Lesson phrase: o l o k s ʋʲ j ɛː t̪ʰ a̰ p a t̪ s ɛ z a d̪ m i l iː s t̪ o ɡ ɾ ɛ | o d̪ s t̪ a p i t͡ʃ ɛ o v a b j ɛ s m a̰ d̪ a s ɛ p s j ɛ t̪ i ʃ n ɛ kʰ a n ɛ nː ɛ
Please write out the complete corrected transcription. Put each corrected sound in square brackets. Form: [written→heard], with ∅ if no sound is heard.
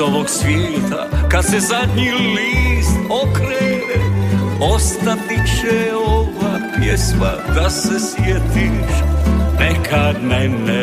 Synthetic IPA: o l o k s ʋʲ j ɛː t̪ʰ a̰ [p→k] a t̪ s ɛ z a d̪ [m→ɲ] i l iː s t̪ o [ɡ→k] ɾ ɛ | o [d̪→∅] s t̪ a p i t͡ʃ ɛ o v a [b→p] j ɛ s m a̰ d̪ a s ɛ [p→∅] s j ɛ t̪ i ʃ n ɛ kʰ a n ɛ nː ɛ